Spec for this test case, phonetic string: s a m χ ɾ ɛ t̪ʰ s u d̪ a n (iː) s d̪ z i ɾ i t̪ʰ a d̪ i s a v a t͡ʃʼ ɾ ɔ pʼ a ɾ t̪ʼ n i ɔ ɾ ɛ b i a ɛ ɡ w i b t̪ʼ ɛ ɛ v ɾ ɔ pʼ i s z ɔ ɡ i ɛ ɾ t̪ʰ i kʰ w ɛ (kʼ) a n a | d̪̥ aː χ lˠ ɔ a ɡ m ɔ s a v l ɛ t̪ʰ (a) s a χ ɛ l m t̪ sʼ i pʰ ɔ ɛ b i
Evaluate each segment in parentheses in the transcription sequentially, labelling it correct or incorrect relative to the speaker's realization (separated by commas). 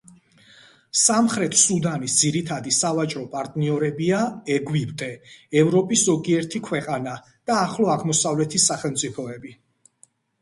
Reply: incorrect, incorrect, incorrect